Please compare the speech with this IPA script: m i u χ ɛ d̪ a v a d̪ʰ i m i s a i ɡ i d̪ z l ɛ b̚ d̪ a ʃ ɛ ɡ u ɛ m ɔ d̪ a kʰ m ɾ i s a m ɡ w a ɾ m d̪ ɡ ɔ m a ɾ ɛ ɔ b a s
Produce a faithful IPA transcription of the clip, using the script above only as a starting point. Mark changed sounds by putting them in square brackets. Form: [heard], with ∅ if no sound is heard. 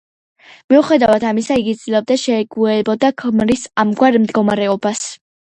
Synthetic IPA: m i u χ ɛ d̪ a v a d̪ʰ [a] m i s a i ɡ i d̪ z l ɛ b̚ d̪ a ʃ ɛ ɡ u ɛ [b] ɔ d̪ a kʰ m ɾ i s a m ɡ w a ɾ m d̪ ɡ ɔ m a ɾ ɛ ɔ b a s

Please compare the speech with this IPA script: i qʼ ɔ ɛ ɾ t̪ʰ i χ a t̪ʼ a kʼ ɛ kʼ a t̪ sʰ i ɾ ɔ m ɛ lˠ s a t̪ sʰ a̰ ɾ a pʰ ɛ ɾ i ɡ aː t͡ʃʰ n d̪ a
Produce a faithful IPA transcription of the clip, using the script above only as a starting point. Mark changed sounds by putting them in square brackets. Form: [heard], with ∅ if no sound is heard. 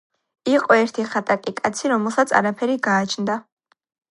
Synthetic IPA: i qʼ ɔ ɛ ɾ t̪ʰ i χ a t̪ʼ a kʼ [i] kʼ a t̪ sʰ i ɾ ɔ m ɛ lˠ s a t̪ sʰ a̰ ɾ a pʰ ɛ ɾ i ɡ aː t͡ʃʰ n d̪ a

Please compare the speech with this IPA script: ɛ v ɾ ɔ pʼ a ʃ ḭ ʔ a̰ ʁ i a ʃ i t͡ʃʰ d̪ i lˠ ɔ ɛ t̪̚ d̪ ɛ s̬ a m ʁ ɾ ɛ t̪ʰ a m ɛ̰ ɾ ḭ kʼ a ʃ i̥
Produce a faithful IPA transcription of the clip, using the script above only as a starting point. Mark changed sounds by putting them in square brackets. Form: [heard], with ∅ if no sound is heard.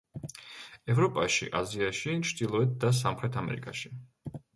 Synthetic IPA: ɛ v ɾ ɔ pʼ a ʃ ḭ ʔ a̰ [z] i a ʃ i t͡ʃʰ d̪ i lˠ ɔ ɛ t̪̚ d̪ [a] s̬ a m [χ] ɾ ɛ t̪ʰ a m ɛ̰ ɾ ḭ kʼ a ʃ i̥

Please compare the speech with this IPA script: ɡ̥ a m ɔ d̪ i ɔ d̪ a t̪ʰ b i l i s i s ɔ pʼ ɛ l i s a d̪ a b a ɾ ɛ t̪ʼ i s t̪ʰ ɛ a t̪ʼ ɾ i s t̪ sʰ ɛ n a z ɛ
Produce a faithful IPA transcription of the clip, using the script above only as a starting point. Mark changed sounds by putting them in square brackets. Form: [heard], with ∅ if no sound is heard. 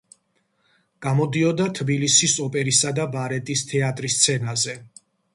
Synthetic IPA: ɡ̥ a m ɔ d̪ i ɔ d̪ a t̪ʰ b i l i s i s ɔ pʼ ɛ [ɾ] i s a d̪ a b a ɾ ɛ t̪ʼ i s t̪ʰ ɛ a t̪ʼ ɾ i s t̪ sʰ ɛ n a z ɛ

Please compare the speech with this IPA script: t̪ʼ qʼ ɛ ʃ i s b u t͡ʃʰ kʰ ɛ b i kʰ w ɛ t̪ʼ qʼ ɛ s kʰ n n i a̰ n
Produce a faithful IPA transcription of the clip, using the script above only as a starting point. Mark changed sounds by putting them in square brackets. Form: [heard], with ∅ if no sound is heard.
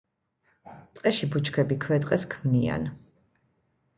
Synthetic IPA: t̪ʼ qʼ ɛ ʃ i [∅] b u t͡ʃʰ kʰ ɛ b i kʰ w ɛ t̪ʼ qʼ ɛ s kʰ [m] n i a̰ n

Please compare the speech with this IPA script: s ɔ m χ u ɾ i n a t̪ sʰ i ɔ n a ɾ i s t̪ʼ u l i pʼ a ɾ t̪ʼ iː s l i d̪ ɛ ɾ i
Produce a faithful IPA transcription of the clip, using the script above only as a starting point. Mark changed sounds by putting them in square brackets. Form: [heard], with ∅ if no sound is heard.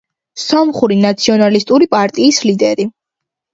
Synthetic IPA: s ɔ m χ u ɾ i n a t̪ sʰ i ɔ n a [l] i s t̪ʼ u [ɾ] i pʼ a ɾ t̪ʼ iː s l i d̪ ɛ ɾ i

